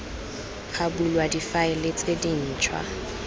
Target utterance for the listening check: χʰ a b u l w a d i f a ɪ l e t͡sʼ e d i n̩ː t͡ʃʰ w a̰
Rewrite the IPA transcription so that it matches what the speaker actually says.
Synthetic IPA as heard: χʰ a b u l w a d i f a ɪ l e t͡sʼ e d i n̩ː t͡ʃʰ w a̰